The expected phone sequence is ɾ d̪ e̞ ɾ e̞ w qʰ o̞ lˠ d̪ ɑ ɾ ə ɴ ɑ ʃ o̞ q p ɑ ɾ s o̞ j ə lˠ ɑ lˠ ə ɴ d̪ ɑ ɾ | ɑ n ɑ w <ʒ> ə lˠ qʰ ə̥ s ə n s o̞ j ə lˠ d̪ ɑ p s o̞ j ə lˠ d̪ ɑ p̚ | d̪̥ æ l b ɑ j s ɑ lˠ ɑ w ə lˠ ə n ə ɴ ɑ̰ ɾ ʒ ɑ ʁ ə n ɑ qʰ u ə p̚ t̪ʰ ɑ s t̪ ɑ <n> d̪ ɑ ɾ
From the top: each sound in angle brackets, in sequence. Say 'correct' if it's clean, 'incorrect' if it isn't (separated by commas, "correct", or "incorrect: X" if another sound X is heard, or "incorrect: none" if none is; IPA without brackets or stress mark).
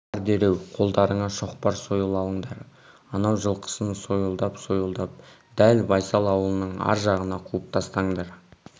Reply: correct, incorrect: ɴ